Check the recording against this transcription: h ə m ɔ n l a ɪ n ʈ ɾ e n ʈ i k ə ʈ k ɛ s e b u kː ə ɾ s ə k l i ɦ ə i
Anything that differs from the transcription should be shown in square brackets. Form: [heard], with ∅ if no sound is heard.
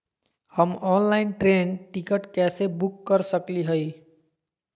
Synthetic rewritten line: h ə m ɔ n l a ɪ n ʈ ɾ e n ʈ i k ə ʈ k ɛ s e b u kː ə ɾ s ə k l i ɦ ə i